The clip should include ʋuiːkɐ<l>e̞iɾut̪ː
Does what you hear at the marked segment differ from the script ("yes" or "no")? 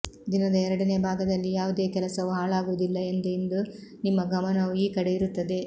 yes